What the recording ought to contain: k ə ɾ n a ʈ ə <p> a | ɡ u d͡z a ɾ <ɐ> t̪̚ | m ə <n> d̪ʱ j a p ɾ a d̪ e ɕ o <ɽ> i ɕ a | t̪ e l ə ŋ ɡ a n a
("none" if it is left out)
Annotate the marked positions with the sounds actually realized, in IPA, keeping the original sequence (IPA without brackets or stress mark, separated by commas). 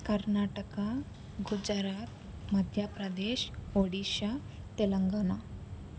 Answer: k, a, none, ɽ